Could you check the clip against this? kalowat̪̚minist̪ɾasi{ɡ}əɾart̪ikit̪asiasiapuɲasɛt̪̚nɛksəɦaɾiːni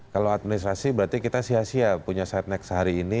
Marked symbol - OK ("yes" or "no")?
no